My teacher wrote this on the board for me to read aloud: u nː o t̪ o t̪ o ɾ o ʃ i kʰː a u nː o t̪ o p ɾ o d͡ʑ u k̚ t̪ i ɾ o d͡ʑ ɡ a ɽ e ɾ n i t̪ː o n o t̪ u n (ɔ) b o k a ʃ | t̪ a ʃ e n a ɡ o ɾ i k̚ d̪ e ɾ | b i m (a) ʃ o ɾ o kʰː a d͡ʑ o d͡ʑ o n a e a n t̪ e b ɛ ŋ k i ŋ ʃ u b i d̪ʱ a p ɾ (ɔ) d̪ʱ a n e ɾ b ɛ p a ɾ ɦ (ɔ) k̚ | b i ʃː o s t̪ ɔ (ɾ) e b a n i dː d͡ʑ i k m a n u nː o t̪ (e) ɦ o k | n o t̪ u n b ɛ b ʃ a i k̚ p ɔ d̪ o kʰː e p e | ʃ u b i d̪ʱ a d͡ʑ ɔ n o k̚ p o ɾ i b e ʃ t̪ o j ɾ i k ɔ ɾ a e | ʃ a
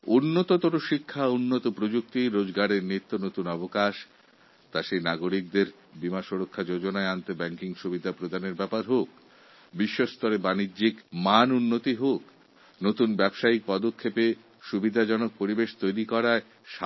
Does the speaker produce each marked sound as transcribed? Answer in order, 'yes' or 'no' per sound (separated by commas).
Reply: yes, yes, no, no, yes, no